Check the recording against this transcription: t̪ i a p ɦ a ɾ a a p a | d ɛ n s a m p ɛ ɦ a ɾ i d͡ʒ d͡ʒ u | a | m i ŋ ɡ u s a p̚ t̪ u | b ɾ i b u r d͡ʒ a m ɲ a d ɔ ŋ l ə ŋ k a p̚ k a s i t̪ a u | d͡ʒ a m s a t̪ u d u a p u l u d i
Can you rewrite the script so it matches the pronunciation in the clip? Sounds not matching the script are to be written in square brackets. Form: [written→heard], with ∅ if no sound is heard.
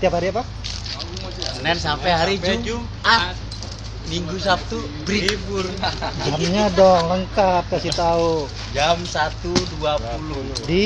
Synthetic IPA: t̪ i a p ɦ a ɾ [a→i] a p a | [d→n] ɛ n s a m p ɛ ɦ a ɾ i d͡ʒ d͡ʒ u | a | m i ŋ ɡ u s a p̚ t̪ u | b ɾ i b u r d͡ʒ a m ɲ a d ɔ ŋ l ə ŋ k a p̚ k a s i t̪ a u | d͡ʒ a m s a t̪ u d u a p u l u d i